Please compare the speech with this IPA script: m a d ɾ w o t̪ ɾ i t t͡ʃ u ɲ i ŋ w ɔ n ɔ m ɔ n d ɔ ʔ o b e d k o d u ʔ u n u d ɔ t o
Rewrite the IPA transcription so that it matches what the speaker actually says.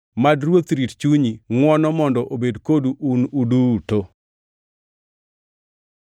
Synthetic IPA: m a d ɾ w o t̪ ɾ i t t͡ʃ u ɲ i ŋ w ɔ n ɔ m ɔ n d ɔ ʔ o b e d k o d u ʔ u n u d u t o